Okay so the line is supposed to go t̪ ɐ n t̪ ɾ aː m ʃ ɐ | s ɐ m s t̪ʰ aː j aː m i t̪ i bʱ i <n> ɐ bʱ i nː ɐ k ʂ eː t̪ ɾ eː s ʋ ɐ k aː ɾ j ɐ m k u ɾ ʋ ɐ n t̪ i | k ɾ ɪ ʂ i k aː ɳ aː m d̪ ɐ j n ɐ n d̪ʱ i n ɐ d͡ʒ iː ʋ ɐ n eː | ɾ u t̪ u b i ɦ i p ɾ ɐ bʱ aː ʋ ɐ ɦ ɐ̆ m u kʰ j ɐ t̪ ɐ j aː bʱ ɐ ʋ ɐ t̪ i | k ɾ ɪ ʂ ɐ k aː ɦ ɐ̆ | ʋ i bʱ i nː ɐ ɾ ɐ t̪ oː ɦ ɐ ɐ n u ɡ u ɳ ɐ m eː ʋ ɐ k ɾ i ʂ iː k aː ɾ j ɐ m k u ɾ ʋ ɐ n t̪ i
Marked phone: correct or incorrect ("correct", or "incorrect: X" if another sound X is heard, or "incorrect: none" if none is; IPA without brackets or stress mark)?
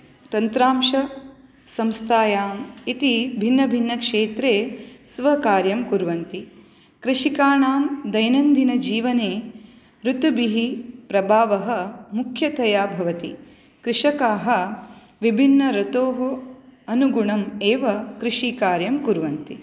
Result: incorrect: nː